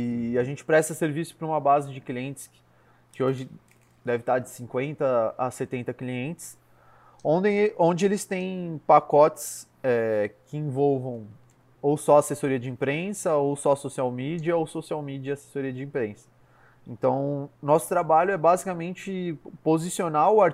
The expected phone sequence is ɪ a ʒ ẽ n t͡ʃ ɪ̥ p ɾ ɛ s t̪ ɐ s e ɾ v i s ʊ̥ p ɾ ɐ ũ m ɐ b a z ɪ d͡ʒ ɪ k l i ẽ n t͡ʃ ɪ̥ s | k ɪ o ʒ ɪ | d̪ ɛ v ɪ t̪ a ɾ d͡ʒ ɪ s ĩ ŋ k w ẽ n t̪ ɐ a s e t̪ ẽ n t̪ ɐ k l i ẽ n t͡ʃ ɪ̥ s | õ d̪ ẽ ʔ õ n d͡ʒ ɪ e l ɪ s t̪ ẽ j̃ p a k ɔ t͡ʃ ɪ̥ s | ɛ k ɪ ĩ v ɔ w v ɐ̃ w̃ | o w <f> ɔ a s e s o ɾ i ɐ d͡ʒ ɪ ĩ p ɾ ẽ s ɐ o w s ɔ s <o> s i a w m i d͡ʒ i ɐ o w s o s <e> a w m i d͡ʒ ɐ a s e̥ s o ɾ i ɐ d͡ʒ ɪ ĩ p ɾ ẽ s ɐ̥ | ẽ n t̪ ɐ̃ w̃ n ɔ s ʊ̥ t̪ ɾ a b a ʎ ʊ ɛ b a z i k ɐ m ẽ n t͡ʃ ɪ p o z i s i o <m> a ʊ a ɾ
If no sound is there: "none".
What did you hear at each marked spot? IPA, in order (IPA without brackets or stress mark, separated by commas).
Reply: s, o, i, n